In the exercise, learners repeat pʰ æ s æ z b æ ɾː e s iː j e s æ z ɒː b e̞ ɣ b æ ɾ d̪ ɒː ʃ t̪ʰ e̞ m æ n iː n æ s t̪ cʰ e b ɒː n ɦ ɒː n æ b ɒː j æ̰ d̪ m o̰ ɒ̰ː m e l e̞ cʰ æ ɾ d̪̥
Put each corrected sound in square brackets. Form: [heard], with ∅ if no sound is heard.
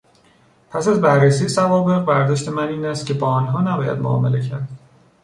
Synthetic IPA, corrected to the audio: pʰ æ s æ z b æ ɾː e s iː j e s æ [v] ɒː b e̞ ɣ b æ ɾ d̪ ɒː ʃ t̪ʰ e̞ m æ n iː n æ s t̪ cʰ e b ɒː n ɦ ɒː n æ b ɒː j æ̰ d̪ m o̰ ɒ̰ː m e l e̞ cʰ æ ɾ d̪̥

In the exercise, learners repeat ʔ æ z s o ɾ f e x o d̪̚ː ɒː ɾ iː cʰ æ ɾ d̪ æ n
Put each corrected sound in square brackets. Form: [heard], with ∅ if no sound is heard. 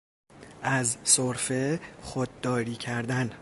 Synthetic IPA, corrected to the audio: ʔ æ z s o ɾ f e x o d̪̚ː ɒː ɾ iː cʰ æ ɾ d̪ æ n

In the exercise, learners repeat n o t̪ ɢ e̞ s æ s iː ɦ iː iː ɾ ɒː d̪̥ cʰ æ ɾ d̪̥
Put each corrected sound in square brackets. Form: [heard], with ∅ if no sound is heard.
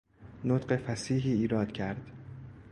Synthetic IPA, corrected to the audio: n o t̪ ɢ e̞ [f] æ s iː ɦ iː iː ɾ ɒː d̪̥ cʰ æ ɾ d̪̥

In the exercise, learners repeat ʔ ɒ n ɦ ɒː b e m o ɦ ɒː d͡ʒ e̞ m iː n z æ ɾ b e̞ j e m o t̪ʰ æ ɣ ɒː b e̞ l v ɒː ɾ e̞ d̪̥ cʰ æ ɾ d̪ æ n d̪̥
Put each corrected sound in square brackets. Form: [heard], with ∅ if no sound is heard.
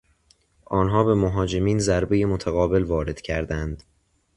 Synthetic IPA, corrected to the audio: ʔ [ɒː] n ɦ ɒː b e m o ɦ ɒː d͡ʒ e̞ m iː n z æ ɾ b e̞ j e m o t̪ʰ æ ɣ ɒː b e̞ l v ɒː ɾ e̞ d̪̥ cʰ æ ɾ d̪ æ n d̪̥

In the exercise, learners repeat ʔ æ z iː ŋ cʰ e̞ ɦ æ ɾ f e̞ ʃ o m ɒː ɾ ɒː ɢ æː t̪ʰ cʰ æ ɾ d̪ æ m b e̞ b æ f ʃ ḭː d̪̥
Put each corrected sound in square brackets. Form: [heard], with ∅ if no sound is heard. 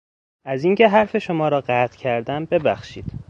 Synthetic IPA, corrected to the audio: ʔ æ z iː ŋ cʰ e̞ ɦ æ ɾ f e̞ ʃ o m ɒː ɾ ɒː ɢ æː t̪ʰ cʰ æ ɾ d̪ æ m b e̞ b æ [x] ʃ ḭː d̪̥

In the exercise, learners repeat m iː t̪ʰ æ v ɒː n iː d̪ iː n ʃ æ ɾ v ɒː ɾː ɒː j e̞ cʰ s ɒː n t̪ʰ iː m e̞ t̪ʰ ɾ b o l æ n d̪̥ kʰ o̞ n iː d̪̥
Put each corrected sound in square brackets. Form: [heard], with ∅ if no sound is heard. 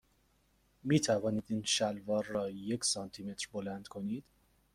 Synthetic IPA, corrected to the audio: m iː t̪ʰ æ v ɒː n iː d̪ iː n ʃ æ [l] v ɒː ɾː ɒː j e̞ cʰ s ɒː n t̪ʰ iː m e̞ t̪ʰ ɾ b o l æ n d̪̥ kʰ o̞ n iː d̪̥

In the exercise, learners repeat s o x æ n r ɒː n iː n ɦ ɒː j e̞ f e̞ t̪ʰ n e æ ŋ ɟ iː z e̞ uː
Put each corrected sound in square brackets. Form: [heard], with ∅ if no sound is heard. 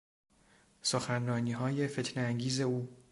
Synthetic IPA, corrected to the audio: s o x æ n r ɒː n iː [∅] ɦ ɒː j e̞ f e̞ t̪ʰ n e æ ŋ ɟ iː z e̞ uː

